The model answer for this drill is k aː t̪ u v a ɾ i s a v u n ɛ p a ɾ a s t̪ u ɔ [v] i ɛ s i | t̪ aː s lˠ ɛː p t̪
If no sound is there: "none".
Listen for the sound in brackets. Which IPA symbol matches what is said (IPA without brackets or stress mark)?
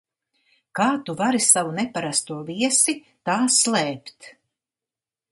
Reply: v